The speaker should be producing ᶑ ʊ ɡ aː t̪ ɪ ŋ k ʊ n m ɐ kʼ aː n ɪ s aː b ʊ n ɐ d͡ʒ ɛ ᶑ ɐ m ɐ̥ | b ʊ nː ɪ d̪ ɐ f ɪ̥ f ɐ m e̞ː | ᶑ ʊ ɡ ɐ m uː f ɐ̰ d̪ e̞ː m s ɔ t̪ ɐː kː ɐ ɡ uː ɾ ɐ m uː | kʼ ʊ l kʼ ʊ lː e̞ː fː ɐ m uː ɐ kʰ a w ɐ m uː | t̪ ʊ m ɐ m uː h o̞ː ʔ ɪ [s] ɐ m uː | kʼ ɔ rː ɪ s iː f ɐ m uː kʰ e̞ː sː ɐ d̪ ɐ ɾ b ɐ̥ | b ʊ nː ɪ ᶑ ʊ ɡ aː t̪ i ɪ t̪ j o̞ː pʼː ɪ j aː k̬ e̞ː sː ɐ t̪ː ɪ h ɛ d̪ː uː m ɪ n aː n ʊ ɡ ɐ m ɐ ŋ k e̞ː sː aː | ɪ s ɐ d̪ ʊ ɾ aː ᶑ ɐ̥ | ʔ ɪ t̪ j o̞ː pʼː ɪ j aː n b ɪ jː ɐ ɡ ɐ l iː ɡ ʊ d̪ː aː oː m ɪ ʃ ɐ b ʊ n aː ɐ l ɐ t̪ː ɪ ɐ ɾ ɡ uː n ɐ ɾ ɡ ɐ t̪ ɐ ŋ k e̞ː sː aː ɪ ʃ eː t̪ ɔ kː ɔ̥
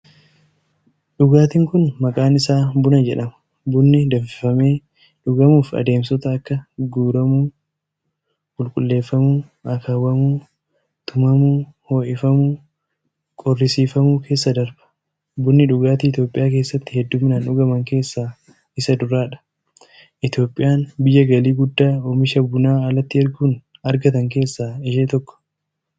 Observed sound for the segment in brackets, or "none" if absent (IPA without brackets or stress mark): f